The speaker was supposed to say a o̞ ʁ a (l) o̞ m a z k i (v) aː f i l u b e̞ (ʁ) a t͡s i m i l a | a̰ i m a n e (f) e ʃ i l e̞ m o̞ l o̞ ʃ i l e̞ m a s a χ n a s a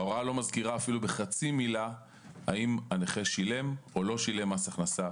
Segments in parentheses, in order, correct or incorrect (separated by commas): correct, incorrect, incorrect, incorrect